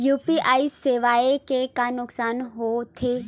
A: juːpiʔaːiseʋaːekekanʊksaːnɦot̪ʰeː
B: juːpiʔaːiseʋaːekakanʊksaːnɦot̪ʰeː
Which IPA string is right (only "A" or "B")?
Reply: A